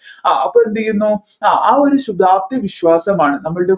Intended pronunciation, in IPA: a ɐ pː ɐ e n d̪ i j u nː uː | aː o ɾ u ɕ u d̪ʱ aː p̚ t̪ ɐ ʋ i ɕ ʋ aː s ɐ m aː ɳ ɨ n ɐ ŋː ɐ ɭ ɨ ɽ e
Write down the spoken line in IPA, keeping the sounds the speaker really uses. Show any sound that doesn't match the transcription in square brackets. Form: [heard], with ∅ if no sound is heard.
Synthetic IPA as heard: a ɐ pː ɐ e n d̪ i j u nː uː | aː o ɾ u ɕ u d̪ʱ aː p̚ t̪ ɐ ʋ i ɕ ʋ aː s ɐ m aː ɳ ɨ n ɐ [mː] ɐ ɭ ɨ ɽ e